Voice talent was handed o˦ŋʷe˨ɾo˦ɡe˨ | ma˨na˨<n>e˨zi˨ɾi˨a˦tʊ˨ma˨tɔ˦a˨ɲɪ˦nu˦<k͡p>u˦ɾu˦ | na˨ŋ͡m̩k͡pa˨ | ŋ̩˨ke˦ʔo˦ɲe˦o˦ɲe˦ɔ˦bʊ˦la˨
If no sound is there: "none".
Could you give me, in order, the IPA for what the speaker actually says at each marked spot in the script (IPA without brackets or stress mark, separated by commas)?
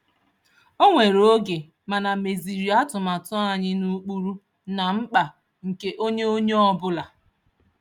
m, k͡p